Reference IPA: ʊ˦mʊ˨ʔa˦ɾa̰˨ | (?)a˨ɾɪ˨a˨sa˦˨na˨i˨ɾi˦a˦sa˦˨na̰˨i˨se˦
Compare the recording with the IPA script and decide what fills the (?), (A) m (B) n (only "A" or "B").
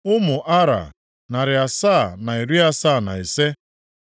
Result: B